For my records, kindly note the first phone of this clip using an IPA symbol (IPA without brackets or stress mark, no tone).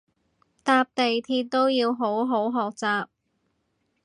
t̪